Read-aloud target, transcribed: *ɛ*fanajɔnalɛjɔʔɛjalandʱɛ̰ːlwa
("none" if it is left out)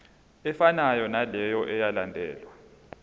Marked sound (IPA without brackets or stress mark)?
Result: ɛ